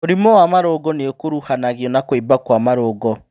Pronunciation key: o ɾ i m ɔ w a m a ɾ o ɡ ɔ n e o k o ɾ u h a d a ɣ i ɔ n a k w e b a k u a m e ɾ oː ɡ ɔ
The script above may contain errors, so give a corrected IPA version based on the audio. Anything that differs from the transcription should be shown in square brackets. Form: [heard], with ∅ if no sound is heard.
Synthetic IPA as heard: o ɾ i m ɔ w a m a ɾ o ɡ ɔ n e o k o ɾ u h a [n] a ɣ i ɔ n a k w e b a k [w] a m [a] ɾ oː ɡ ɔ

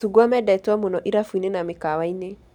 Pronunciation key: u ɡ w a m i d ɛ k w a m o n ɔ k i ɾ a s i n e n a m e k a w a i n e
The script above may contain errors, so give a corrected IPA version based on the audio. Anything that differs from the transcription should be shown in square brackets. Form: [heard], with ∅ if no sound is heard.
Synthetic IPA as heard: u ɡ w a m [ɛ] d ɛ [t] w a m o n ɔ [ʔ] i ɾ a [f] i n e n a m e k a w a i n e

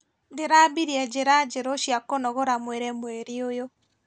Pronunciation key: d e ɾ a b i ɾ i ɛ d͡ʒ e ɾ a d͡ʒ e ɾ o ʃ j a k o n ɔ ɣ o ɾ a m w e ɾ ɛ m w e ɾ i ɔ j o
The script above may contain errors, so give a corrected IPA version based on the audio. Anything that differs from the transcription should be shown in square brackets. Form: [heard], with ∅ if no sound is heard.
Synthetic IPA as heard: d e ɾ a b i ɾ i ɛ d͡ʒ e ɾ a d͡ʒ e ɾ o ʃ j a k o n ɔ ɣ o ɾ a m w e ɾ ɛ m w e ɾ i [o] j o

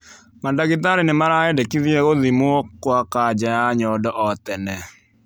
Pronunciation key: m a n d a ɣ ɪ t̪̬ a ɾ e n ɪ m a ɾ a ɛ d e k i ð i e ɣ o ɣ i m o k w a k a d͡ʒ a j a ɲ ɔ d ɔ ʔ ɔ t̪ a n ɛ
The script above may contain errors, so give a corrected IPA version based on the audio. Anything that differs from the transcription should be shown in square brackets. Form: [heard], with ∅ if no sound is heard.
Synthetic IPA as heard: m a n d a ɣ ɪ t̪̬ a ɾ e n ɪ m a ɾ a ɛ d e k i ð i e ɣ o [ð] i m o k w a k a d͡ʒ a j a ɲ ɔ d ɔ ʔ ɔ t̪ [ɛ] n ɛ

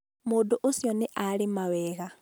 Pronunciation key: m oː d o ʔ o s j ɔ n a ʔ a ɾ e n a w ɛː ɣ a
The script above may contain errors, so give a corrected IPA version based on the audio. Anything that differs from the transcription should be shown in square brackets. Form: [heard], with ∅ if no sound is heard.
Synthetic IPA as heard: m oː d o ʔ o s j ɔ n [e] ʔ a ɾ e [m] a w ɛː ɣ a

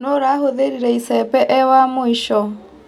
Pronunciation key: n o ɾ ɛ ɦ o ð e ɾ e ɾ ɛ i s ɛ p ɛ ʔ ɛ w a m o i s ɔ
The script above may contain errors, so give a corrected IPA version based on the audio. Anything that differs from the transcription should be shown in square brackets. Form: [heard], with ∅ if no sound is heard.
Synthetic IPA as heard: n o ɾ [a] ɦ o ð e ɾ [i] ɾ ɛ i s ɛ p ɛ ʔ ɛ w a m o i [ʃ] ɔ

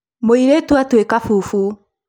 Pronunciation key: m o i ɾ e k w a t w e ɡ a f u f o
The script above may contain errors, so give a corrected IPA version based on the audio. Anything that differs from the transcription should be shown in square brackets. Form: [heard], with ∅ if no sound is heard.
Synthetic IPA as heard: m o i ɾ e [t] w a t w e [k] a f u f [u]

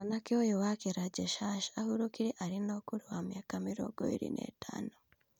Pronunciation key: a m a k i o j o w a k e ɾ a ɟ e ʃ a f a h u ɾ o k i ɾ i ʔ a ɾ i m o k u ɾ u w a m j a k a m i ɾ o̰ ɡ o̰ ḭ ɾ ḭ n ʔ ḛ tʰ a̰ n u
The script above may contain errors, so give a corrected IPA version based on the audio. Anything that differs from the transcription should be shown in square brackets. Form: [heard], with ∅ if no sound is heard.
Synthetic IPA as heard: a [n] a k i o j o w a k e ɾ a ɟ e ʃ a [ʃ] a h u ɾ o k i ɾ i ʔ a ɾ i [n] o k u ɾ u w a m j a k a m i ɾ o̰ ɡ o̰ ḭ ɾ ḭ n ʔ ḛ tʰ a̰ n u

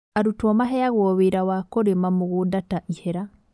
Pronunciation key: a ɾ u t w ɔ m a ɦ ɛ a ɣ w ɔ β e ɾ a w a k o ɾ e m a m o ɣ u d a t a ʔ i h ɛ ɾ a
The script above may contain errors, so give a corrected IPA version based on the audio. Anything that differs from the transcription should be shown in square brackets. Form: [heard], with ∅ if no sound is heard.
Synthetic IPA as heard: a ɾ u t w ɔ m a ɦ ɛ a ɣ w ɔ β e ɾ a w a k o ɾ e m a m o ɣ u d a t a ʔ i h ɛ ɾ a

